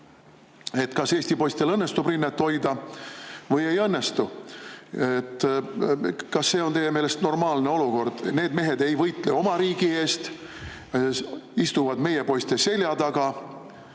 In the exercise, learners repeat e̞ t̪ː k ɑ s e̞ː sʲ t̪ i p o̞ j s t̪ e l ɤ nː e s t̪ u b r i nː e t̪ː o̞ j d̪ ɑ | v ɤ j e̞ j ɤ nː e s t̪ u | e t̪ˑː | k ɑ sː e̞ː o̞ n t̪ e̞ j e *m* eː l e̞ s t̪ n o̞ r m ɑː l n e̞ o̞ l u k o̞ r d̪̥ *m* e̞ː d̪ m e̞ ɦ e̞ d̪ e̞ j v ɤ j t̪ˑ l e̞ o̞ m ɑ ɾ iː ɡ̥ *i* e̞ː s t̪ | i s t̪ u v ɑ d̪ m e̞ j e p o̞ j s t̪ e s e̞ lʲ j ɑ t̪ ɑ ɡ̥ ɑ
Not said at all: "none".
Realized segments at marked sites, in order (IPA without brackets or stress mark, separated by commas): m, n, i